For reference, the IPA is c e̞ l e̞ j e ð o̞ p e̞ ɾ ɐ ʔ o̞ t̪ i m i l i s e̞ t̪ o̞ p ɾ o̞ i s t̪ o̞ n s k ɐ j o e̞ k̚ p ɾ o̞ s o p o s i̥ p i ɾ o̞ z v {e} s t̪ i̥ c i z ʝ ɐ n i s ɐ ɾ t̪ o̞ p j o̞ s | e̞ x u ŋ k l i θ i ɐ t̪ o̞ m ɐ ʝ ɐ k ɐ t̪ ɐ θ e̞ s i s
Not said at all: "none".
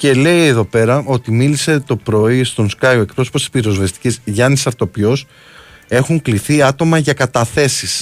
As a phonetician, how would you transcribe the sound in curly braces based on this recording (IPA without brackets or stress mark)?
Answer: e